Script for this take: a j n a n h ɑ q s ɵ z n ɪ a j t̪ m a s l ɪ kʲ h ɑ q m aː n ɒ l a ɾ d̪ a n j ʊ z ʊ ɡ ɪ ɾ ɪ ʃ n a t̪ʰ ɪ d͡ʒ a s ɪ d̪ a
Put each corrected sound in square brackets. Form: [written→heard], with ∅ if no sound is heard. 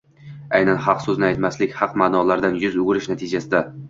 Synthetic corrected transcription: a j n a n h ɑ q s ɵ z n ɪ a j t̪ m a s l ɪ kʲ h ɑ q m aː n ɒ l a ɾ d̪ a n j ʊ z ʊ ɡ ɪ ɾ ɪ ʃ n a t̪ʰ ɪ d͡ʒ a s ɪ d̪ a